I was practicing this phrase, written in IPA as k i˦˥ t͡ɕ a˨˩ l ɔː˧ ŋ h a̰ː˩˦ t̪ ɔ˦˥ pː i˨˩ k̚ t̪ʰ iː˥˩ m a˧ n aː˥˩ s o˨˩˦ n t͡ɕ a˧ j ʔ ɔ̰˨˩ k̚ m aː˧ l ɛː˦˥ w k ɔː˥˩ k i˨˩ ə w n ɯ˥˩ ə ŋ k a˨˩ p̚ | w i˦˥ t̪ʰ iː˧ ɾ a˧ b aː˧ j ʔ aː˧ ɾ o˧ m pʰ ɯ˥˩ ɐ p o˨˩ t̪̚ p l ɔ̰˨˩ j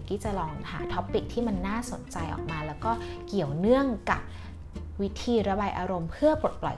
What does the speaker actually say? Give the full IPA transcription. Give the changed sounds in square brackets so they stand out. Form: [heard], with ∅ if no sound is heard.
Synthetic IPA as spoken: k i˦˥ t͡ɕ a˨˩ l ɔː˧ ŋ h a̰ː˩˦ [t̪ʰ] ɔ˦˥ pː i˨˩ k̚ t̪ʰ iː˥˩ m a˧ [nː] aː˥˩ s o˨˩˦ n t͡ɕ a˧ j ʔ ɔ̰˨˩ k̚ m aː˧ l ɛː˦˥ w k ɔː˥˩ k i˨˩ ə w n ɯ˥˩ ə ŋ k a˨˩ p̚ | w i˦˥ t̪ʰ iː˧ ɾ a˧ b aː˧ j ʔ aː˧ ɾ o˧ m pʰ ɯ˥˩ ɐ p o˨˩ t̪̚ p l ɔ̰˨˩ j